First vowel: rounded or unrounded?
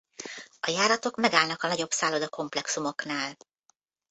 rounded